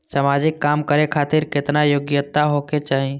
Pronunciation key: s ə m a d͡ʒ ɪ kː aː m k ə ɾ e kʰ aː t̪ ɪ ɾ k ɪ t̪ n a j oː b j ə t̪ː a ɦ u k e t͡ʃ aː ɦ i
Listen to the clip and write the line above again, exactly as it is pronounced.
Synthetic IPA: s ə m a d͡ʒ ɪ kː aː m k ə ɾ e kʰ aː t̪ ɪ ɾ k ɪ t̪ n a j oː ɡ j ə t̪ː a ɦ o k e t͡ʃ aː ɦ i